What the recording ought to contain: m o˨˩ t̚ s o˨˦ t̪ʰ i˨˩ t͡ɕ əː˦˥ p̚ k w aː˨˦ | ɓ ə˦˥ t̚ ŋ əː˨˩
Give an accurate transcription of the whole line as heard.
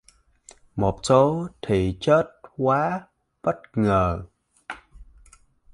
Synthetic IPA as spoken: m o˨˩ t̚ s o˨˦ t̪ʰ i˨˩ t͡ɕ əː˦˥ t̚ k w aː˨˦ | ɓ ə˦˥ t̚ ŋ əː˨˩